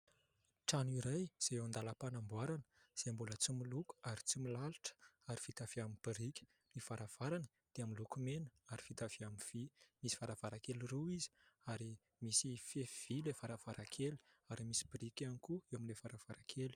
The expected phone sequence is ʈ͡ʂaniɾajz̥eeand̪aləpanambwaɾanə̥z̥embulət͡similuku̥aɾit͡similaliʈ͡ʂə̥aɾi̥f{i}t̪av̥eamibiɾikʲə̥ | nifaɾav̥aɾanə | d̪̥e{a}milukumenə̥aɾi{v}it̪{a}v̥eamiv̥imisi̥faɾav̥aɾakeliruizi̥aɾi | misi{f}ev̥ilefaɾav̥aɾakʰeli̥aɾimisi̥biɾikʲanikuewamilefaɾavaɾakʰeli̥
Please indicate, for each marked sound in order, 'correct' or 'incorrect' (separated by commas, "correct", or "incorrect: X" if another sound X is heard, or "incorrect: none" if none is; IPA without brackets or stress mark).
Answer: correct, correct, incorrect: f, correct, correct